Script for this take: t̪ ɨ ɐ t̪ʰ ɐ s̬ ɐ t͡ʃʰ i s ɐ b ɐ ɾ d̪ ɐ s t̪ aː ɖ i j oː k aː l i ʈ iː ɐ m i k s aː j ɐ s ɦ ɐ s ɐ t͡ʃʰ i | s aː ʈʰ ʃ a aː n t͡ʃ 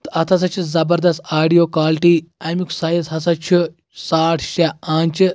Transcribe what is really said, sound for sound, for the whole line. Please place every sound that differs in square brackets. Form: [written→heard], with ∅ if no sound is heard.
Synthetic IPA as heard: t̪ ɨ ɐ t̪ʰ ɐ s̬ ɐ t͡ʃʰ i [s→z] ɐ b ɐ ɾ d̪ ɐ s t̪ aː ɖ i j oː k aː l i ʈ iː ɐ m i k s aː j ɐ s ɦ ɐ s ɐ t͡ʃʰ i | s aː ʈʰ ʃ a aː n t͡ʃ